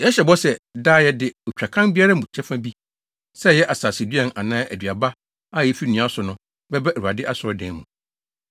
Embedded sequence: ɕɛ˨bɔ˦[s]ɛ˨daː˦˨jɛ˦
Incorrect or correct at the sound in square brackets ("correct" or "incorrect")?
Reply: correct